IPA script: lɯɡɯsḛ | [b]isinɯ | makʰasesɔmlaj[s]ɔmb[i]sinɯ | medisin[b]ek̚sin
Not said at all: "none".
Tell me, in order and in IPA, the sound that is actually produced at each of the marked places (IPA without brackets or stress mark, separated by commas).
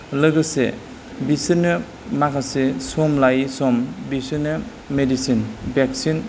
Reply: b, s, i, b